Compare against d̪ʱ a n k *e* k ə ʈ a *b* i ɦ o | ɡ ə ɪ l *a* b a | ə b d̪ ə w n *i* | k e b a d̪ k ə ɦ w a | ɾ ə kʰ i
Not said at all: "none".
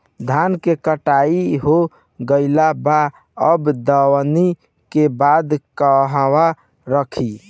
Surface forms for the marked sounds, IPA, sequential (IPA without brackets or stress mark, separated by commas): e, none, a, i